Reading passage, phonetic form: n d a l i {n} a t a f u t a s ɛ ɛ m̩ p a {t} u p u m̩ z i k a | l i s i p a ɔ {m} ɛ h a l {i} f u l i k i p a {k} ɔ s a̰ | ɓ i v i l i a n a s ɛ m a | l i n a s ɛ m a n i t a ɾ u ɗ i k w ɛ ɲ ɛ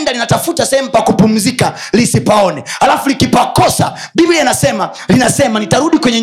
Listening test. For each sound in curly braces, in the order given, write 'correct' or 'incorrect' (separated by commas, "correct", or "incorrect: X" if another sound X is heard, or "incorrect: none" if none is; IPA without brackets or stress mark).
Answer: correct, incorrect: k, incorrect: n, incorrect: a, correct